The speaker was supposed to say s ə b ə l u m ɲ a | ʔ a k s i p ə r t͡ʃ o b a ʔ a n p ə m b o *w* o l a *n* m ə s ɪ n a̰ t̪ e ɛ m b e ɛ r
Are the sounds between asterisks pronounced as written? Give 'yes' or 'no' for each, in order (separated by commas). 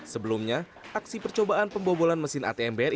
no, yes